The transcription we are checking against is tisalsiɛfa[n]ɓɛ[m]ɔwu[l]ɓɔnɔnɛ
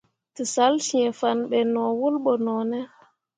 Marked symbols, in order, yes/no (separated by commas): yes, no, yes